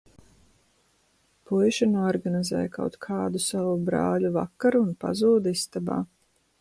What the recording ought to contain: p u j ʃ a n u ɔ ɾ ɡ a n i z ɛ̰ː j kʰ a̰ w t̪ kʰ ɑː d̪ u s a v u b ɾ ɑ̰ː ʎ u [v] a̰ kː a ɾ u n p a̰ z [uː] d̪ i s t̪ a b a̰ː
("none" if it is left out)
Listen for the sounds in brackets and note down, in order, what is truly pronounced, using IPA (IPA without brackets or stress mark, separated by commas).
v, uː